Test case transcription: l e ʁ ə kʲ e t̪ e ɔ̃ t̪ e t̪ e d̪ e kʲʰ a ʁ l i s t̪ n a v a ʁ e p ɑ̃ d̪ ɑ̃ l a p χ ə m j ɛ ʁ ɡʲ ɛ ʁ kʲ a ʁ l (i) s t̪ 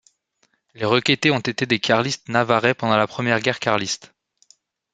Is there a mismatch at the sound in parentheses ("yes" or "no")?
no